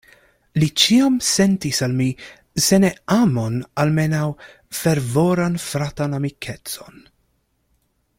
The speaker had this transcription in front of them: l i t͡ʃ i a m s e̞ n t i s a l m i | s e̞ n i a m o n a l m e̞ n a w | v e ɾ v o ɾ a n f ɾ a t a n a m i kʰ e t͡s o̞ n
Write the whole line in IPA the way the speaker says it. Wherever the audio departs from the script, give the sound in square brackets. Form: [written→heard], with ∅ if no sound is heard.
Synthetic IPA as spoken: l i t͡ʃ i a m s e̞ n t i s a l m i | s e̞ n [i→e] a m o n a l m e̞ n a w | [v→f] e ɾ v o ɾ a n f ɾ a t a n a m i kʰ e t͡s o̞ n